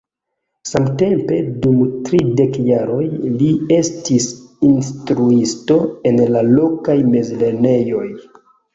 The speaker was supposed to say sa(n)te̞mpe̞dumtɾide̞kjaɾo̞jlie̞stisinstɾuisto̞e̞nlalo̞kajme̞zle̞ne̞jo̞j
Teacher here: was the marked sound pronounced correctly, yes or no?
no